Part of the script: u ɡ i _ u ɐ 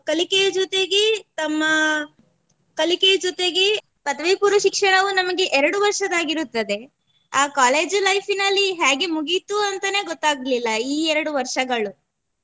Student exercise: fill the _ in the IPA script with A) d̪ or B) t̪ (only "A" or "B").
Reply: B